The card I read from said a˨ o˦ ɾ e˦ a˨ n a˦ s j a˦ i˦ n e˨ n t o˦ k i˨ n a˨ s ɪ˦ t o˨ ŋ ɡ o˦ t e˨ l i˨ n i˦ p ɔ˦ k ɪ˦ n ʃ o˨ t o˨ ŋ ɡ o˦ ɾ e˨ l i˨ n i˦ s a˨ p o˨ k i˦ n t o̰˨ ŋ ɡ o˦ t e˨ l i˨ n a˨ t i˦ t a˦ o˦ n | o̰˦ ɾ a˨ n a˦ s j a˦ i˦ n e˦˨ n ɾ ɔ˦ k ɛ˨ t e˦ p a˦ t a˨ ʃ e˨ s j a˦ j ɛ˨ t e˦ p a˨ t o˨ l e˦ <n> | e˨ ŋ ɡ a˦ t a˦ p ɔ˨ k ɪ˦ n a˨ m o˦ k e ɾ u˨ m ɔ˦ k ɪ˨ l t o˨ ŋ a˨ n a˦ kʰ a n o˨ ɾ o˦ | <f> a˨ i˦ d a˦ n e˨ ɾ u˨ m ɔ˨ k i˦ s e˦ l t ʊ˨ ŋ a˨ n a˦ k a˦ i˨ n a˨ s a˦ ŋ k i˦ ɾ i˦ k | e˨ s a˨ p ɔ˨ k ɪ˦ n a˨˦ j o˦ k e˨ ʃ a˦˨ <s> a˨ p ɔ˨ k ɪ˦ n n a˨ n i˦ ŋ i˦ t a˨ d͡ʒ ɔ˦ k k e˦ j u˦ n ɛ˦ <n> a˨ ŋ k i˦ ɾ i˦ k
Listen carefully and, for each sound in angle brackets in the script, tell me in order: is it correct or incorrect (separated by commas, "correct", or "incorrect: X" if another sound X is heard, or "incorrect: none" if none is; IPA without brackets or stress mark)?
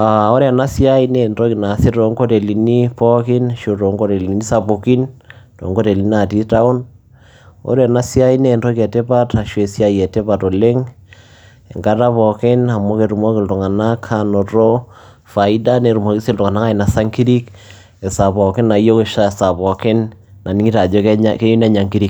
incorrect: ŋ, correct, correct, incorrect: ɲ